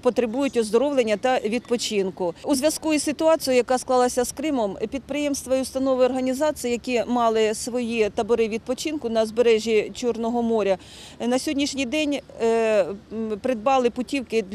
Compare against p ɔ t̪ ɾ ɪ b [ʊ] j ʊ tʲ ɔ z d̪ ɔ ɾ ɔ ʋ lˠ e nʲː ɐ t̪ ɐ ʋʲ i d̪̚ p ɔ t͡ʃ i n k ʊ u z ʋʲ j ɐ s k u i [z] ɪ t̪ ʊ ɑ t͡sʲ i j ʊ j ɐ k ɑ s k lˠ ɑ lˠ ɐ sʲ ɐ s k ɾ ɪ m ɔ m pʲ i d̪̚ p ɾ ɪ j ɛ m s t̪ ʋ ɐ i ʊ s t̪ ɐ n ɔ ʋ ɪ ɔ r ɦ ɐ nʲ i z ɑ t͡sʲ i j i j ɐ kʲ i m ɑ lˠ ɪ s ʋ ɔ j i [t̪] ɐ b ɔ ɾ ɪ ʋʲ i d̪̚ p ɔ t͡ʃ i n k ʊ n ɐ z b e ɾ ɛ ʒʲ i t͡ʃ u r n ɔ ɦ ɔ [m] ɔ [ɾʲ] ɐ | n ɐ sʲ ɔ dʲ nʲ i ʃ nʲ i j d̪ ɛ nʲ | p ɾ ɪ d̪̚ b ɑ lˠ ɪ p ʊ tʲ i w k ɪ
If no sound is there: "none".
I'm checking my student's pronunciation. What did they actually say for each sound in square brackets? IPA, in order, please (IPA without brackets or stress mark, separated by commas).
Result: u, s, t̪, m, ɾʲ